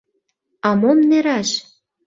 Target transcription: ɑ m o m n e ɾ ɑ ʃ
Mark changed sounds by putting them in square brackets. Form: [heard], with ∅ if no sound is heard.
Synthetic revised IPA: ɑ m o m n e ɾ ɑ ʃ